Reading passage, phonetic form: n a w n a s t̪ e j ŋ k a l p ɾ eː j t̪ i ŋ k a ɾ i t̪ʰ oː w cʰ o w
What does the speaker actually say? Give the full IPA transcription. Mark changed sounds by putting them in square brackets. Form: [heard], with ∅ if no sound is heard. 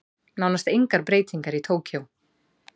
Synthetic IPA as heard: n a w n a s t̪ e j ŋ k a [ɾ] p ɾ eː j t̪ i ŋ k a ɾ i t̪ʰ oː w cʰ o w